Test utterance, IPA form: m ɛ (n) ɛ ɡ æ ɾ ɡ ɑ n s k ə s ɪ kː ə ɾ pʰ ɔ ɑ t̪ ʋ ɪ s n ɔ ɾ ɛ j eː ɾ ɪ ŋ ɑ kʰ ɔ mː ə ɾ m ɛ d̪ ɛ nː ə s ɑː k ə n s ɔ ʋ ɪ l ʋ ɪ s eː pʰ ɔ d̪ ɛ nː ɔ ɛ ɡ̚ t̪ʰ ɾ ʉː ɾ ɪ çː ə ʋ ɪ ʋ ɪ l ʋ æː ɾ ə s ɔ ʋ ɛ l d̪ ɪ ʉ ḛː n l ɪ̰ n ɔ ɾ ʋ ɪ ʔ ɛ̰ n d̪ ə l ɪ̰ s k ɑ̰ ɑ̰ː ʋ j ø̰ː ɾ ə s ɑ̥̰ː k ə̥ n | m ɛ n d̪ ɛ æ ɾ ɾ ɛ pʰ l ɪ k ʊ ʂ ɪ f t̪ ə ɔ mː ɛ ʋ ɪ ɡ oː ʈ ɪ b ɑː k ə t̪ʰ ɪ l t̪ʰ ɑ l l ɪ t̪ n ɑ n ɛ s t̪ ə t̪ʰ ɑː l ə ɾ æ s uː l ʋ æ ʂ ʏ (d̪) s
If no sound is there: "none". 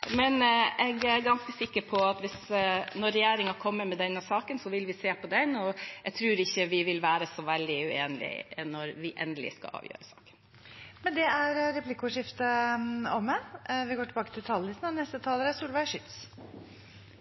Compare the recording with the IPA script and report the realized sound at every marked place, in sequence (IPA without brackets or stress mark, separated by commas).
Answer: n, t̪